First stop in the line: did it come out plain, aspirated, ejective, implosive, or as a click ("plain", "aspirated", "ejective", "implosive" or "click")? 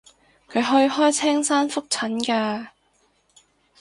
aspirated